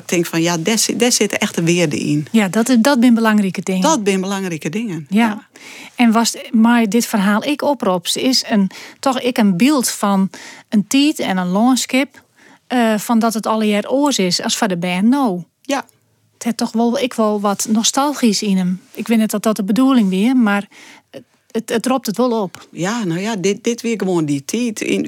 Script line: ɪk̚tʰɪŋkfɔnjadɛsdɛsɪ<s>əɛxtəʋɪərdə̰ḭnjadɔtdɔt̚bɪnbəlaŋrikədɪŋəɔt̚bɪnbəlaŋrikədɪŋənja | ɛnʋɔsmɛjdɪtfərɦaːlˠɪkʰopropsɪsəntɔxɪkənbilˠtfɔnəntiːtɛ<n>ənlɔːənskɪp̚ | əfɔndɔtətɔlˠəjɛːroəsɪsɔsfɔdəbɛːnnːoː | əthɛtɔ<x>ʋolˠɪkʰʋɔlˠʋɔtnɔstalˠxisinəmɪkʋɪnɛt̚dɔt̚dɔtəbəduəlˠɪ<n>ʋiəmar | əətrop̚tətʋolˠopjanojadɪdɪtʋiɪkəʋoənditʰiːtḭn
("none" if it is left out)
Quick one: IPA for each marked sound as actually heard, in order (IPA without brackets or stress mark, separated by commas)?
t, n, x, ŋ